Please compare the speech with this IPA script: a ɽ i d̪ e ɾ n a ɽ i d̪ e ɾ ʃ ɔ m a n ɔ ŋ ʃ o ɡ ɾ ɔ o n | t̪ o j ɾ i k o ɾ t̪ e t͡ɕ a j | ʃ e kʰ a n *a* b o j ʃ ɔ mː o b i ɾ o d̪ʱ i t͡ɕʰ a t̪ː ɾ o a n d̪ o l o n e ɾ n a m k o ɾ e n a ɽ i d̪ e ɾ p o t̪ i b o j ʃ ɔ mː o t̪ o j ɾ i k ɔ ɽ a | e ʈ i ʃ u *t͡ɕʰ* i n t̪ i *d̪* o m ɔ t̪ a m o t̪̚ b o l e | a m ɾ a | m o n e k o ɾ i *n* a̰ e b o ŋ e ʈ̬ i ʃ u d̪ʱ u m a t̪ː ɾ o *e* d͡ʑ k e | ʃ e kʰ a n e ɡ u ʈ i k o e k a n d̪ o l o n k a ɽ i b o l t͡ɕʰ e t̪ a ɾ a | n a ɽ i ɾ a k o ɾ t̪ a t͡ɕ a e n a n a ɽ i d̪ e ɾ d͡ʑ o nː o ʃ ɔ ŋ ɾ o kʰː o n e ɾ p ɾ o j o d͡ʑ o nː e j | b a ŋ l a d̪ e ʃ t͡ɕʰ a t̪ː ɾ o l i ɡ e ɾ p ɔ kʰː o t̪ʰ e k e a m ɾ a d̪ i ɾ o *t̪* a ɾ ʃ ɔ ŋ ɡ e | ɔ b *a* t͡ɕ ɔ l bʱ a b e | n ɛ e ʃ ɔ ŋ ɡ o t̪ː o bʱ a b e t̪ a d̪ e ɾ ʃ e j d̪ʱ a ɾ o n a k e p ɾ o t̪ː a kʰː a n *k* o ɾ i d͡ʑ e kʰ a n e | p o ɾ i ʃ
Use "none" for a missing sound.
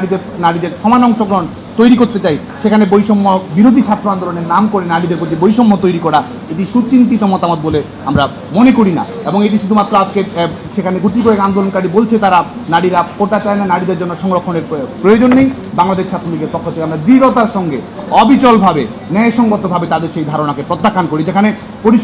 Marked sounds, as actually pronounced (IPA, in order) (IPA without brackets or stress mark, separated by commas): e, t͡ɕ, t̪, n, a, t̪, i, k